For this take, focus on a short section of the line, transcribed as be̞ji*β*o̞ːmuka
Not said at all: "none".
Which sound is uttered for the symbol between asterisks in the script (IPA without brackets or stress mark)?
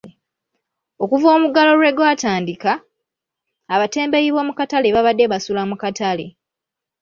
β